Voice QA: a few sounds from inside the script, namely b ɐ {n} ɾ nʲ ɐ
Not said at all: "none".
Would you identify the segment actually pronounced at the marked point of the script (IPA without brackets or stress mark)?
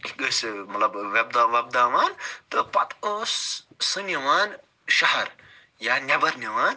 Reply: none